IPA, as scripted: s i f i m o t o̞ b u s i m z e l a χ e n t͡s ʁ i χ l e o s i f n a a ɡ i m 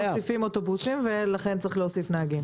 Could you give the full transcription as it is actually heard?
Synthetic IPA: s i f i m o t o̞ b u s i m v e l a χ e n t͡s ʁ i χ l e o s i f n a a ɡ i m